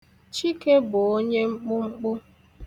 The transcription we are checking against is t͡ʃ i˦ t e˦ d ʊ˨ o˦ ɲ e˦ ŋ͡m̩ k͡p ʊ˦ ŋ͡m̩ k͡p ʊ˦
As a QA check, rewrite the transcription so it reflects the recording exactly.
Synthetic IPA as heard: t͡ʃ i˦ k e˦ b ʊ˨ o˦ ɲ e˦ ŋ͡m̩ k͡p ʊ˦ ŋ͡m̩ k͡p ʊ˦